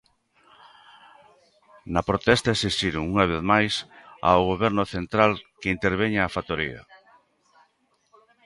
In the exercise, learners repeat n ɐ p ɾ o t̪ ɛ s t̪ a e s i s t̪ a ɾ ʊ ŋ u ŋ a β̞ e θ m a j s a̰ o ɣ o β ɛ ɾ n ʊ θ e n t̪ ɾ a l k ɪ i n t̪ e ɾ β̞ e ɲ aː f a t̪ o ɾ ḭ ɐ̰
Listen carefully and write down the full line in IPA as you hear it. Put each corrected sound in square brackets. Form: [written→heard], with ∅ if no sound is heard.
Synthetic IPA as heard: n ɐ p ɾ o t̪ ɛ s t̪ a e s i s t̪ [a→i] ɾ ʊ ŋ u ŋ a β̞ e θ m a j s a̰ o ɣ o β ɛ ɾ n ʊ θ e n t̪ ɾ a l k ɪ i n t̪ e ɾ β̞ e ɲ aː f a t̪ o ɾ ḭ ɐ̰

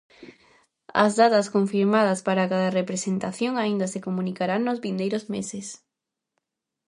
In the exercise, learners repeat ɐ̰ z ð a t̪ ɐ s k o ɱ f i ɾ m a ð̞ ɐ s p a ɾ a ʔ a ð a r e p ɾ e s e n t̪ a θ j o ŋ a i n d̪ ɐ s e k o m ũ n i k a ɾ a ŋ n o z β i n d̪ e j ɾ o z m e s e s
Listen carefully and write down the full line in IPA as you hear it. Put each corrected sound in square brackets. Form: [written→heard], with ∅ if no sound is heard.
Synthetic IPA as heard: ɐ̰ z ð a t̪ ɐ s k o ɱ f i ɾ m a ð̞ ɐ s p a ɾ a [ʔ→k] a ð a r e p ɾ e s e n t̪ a θ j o ŋ a i n d̪ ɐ s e k o m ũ n i k a ɾ a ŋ n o z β i n d̪ e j ɾ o z m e s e s

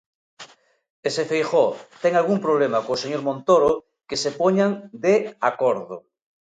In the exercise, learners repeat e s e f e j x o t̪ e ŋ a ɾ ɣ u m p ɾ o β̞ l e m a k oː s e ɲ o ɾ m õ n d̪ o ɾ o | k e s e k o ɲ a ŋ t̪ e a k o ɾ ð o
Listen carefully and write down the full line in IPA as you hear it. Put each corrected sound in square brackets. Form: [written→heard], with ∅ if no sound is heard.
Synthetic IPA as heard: e s e f e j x o t̪ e ŋ a [ɾ→l] ɣ u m p ɾ o β̞ l e m a k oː s e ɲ o ɾ m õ n [d̪→t̪] o ɾ o | k e s e [k→p] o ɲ a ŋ [t̪→d̪] e a k o ɾ ð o

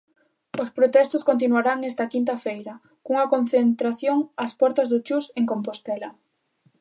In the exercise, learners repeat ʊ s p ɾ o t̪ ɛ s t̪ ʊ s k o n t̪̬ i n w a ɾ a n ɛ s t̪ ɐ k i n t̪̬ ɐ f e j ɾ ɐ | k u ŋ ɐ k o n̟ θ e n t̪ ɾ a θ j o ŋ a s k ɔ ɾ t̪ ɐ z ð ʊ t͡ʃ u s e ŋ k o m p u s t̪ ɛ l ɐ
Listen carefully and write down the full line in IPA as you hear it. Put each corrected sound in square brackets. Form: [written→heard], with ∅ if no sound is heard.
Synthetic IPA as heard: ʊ s p ɾ o t̪ ɛ s t̪ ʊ s k o n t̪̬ i n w a ɾ a [n→ŋ] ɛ s t̪ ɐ k i n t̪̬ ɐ f e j ɾ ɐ | k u ŋ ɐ k o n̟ θ e n t̪ ɾ a θ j o ŋ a s [k→p] ɔ ɾ t̪ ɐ z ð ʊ t͡ʃ u s e ŋ k o m p [u→o] s t̪ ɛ l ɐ

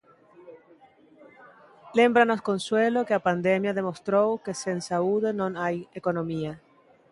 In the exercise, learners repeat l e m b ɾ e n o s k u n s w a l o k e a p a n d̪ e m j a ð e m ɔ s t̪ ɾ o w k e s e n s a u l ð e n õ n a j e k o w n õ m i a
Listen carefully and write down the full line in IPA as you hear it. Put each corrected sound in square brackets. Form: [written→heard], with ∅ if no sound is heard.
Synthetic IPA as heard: l e m b ɾ [e→a] n o s k [u→o] n s w [a→e] l o k e a p a n d̪ e m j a ð e m [ɔ→o] s t̪ ɾ o w k e s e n s a u [l→∅] ð e n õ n a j e k o [w→∅] n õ m i a

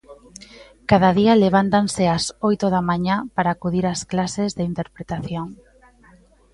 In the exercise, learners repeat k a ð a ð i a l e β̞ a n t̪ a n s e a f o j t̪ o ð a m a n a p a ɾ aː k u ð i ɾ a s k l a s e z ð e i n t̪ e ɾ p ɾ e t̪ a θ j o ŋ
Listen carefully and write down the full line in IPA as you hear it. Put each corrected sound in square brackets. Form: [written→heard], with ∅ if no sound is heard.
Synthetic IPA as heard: k a ð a ð i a l e β̞ a n t̪ a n s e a [f→s] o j t̪ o ð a m a [n→ɲ] a p a ɾ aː k u ð i ɾ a s k l a s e z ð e i n t̪ e ɾ p ɾ e t̪ a θ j o ŋ

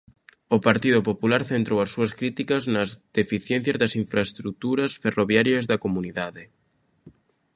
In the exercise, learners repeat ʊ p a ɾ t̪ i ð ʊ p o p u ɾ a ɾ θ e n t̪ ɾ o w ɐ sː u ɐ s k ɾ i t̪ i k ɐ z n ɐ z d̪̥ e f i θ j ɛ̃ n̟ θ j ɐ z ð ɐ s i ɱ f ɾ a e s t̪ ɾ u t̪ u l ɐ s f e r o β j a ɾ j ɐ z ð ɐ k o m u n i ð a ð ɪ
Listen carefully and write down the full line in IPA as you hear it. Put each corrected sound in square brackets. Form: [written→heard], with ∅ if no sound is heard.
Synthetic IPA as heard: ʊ p a ɾ t̪ i ð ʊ p o p u [ɾ→l] a ɾ θ e n t̪ ɾ o w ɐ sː u ɐ s k ɾ i t̪ i k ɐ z n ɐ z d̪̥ e f i θ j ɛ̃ n̟ θ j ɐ z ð ɐ s i ɱ f ɾ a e s t̪ ɾ u t̪ u [l→ɾ] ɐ s f e r o β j a ɾ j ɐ z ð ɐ k o m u n i ð a ð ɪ

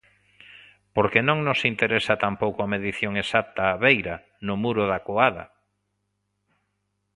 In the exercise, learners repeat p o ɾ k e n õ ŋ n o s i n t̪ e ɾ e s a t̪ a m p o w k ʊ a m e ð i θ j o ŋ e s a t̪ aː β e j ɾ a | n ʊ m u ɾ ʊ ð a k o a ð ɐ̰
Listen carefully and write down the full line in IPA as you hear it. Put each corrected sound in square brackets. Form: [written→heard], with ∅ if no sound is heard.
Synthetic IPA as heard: p o ɾ k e n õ ŋ n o s i n t̪ e ɾ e s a t̪ a m p o w k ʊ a m e ð i θ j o ŋ e s a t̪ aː β e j ɾ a | n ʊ m u ɾ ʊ ð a k o a ð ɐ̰

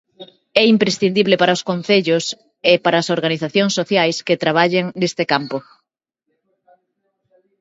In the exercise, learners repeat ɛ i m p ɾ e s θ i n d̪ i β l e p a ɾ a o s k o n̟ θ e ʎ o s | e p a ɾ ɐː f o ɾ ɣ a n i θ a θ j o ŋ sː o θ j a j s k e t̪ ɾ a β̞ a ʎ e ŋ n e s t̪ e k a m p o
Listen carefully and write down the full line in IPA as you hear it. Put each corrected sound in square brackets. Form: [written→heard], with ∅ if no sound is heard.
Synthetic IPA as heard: ɛ i m p ɾ e s θ i n d̪ i β l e p a ɾ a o s k o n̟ θ e ʎ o s | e p a ɾ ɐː [f→s] o ɾ ɣ a n i θ a θ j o ŋ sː o θ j a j s k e t̪ ɾ a β̞ a ʎ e ŋ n e s t̪ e k a m p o

